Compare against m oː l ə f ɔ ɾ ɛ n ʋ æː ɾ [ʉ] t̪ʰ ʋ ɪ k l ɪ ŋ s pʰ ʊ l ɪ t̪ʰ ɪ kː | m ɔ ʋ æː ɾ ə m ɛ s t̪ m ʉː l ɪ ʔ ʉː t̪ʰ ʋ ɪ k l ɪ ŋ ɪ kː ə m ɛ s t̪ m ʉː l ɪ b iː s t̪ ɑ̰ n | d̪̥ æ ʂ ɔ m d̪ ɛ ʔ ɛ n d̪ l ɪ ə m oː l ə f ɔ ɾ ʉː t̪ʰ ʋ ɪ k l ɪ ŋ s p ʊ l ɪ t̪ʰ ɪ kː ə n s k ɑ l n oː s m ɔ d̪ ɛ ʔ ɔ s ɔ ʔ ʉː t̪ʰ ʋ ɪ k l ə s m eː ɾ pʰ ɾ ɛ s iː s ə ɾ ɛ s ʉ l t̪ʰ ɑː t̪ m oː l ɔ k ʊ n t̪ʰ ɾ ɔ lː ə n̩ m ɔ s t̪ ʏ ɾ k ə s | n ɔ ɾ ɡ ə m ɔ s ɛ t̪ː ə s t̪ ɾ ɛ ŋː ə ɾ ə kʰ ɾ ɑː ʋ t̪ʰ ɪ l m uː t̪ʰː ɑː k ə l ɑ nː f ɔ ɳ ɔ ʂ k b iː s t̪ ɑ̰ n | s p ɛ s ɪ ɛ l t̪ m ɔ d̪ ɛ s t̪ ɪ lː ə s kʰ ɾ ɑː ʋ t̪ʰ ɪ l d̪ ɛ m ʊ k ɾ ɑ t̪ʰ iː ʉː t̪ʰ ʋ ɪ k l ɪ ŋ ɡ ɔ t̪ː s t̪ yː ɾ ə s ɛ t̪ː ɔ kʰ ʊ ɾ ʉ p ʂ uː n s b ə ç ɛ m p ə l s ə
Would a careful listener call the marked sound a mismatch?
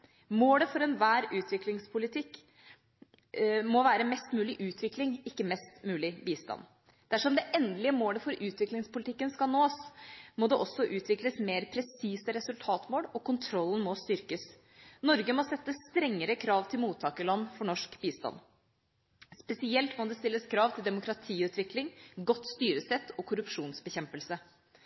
yes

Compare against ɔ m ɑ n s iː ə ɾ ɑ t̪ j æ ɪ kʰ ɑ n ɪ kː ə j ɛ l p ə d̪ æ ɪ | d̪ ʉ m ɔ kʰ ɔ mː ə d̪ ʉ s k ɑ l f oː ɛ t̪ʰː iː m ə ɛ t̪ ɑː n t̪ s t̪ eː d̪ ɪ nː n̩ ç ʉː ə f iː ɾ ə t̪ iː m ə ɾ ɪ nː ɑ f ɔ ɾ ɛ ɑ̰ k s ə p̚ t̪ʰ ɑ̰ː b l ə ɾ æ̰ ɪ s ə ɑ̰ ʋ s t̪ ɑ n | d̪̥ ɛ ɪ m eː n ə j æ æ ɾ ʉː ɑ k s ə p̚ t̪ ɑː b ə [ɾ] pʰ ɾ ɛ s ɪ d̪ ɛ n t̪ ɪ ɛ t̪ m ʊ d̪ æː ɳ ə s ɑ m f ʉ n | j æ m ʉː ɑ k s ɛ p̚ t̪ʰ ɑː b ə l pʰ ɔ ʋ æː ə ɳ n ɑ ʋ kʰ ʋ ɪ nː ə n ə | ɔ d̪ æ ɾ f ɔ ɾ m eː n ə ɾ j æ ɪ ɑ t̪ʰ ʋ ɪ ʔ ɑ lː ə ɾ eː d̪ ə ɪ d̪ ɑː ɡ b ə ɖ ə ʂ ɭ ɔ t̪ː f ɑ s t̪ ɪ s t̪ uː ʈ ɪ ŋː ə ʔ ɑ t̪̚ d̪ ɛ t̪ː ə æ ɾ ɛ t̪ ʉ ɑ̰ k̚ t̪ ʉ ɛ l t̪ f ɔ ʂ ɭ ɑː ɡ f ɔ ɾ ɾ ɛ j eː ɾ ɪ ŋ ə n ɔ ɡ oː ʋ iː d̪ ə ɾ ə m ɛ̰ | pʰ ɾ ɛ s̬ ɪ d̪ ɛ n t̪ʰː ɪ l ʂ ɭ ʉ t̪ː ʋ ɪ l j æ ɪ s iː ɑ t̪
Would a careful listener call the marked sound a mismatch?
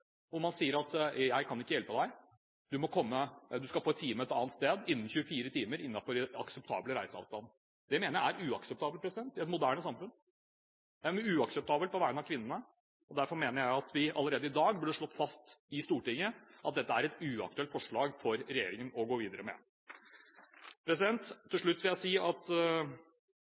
yes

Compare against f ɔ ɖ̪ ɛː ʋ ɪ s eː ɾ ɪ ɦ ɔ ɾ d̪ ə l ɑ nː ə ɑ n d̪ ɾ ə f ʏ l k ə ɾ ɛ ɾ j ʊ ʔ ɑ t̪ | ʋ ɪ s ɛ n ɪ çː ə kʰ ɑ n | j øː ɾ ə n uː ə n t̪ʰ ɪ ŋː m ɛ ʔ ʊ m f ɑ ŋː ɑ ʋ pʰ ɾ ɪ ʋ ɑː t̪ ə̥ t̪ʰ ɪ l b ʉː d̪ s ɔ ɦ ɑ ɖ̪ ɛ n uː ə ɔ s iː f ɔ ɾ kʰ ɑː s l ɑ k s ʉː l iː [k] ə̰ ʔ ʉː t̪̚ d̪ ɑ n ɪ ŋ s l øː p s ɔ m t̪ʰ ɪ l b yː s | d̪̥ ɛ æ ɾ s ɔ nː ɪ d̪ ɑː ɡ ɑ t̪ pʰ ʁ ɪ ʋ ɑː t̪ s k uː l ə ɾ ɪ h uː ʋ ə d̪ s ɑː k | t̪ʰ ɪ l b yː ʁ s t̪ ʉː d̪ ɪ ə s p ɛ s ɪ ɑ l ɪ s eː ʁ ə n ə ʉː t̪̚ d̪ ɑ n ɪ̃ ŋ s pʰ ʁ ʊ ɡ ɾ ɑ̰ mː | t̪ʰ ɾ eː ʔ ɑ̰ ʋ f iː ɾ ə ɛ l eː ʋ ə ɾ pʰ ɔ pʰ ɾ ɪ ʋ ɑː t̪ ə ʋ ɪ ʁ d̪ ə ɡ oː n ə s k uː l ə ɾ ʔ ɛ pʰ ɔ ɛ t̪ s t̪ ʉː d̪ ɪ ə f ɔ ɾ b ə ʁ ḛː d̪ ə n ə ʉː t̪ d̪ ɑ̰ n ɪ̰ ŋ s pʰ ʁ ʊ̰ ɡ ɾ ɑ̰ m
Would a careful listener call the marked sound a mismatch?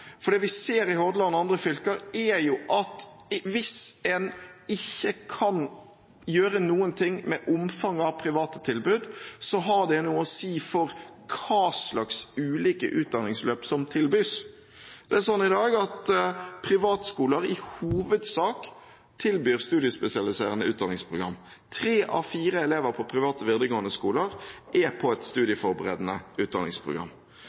no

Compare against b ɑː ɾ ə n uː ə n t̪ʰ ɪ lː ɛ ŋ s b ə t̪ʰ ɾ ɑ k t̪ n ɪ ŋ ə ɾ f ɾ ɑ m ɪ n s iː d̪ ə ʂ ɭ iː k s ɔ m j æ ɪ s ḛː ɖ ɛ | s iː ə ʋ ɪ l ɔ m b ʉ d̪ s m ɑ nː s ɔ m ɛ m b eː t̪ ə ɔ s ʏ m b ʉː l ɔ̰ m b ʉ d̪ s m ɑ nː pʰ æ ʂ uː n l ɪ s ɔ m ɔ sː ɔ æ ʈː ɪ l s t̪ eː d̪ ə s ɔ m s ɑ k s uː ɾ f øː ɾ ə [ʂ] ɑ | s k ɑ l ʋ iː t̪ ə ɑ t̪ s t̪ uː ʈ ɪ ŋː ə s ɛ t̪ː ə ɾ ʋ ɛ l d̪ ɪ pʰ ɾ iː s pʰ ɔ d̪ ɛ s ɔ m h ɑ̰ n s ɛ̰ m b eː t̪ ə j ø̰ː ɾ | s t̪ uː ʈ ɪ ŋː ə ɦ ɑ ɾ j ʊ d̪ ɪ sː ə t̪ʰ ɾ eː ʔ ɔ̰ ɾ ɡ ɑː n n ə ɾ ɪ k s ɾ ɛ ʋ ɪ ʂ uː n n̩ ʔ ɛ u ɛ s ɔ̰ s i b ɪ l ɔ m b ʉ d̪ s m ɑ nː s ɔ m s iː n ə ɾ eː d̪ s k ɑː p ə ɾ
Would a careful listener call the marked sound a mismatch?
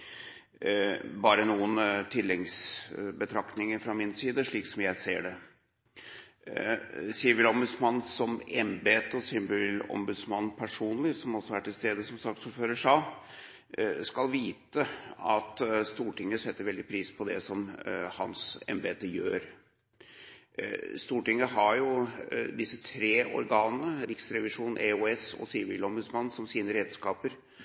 no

